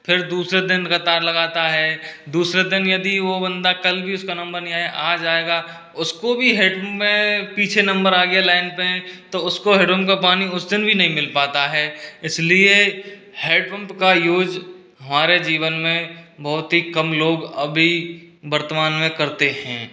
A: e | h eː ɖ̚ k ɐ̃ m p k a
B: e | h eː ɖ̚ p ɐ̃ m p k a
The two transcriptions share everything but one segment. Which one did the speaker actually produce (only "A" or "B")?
B